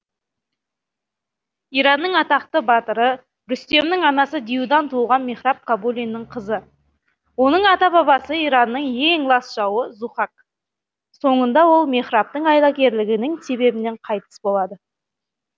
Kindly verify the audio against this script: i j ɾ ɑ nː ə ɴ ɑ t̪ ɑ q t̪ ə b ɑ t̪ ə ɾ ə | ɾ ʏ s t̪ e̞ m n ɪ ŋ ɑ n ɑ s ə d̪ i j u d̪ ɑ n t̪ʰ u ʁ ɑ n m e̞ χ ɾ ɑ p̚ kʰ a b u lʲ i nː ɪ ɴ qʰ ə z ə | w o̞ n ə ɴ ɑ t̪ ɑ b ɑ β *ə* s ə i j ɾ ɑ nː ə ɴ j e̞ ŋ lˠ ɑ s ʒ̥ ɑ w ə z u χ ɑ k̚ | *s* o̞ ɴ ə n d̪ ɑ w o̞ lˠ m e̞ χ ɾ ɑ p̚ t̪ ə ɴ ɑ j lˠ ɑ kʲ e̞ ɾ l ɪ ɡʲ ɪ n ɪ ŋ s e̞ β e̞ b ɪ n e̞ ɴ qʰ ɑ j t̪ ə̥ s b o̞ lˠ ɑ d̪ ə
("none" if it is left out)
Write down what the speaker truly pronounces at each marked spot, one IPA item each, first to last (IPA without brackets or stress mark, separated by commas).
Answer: ɑ, s